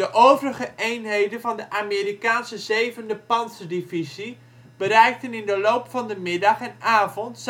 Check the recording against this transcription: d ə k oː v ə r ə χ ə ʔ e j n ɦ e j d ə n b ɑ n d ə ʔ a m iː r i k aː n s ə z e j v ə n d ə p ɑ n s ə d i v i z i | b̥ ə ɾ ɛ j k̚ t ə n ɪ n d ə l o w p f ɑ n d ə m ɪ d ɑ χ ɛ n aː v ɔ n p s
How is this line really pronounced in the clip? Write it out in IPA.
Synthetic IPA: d ə ʔ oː v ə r ə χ ə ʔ e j n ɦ e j d ə n v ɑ n d ə ʔ a m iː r i k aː n s ə z e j v ə n d ə p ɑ n s ə d i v i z i | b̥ ə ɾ ɛ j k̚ t ə n ɪ n d ə l o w p f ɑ n d ə m ɪ d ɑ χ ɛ n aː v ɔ n t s